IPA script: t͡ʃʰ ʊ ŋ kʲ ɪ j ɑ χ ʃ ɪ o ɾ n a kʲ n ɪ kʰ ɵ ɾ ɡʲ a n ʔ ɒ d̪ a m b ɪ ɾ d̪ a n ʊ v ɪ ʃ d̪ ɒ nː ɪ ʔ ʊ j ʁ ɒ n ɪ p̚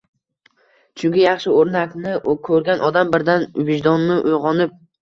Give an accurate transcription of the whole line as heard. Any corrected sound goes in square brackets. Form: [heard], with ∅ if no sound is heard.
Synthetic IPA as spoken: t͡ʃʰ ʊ ŋ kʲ ɪ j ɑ χ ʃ ɪ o ɾ n a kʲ n ɪ kʰ ɵ ɾ ɡʲ a n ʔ ɒ d̪ a m b ɪ ɾ d̪ a n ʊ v ɪ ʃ d̪ ɒ nː ɪ ʔ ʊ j ʁ ɒ n ɪ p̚